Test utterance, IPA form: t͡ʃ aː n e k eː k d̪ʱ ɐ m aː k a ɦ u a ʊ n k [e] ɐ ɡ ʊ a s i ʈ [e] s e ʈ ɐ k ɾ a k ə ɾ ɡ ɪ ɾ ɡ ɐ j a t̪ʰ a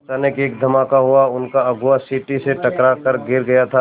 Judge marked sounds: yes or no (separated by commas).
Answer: no, no